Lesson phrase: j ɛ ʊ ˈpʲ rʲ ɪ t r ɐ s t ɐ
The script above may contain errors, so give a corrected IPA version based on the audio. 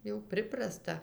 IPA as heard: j ɛ ʊ ˈpʲ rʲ ɪ p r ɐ s t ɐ